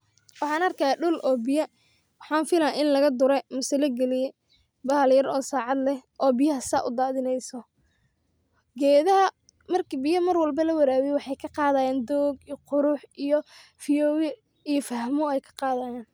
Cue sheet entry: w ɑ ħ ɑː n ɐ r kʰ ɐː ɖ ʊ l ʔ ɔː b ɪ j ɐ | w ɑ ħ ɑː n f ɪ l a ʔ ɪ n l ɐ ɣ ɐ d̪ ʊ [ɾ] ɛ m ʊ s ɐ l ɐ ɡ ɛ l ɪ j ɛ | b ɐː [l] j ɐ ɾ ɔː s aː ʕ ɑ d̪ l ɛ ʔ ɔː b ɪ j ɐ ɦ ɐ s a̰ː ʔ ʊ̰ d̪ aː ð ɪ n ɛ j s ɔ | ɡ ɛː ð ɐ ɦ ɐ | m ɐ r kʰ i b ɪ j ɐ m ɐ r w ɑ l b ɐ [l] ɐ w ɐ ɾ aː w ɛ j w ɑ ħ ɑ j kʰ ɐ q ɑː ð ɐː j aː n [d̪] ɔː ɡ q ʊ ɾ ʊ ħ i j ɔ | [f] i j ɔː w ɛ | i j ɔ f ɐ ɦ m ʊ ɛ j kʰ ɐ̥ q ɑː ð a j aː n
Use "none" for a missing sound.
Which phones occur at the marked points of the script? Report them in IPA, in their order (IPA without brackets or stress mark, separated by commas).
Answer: ɾ, l, l, d̪, f